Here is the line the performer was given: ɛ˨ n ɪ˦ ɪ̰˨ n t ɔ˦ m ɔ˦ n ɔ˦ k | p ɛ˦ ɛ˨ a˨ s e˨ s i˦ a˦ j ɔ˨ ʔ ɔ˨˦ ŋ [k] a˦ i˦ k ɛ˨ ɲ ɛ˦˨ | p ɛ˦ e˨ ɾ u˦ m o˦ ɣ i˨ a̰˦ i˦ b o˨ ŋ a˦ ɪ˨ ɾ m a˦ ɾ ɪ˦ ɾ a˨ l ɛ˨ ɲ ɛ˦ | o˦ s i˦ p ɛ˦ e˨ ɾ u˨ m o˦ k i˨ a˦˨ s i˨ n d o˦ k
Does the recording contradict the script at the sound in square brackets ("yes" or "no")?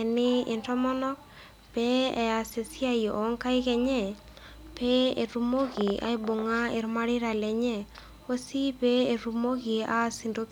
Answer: no